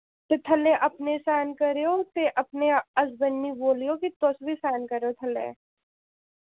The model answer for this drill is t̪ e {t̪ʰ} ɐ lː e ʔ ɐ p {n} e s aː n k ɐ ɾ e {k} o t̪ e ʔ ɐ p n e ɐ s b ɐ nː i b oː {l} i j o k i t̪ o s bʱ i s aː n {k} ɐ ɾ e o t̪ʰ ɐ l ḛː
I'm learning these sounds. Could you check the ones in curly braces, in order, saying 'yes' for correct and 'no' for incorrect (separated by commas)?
yes, yes, no, yes, yes